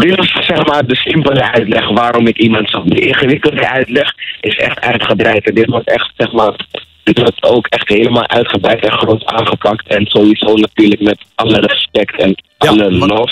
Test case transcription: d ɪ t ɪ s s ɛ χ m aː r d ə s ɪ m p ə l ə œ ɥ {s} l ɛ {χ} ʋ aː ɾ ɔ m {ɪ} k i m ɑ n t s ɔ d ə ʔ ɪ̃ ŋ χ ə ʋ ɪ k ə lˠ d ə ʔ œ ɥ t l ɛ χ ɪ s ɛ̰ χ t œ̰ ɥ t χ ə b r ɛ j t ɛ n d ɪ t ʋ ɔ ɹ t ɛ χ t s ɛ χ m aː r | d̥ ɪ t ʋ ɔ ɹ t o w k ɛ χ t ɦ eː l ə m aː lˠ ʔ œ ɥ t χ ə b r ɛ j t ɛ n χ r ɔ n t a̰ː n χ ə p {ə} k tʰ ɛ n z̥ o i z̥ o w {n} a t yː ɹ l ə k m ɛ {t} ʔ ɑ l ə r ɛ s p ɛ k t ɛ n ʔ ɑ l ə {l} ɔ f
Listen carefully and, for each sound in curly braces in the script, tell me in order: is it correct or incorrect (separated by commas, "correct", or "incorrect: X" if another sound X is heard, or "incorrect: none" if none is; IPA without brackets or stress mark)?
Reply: incorrect: t, correct, correct, incorrect: ɑ, correct, correct, correct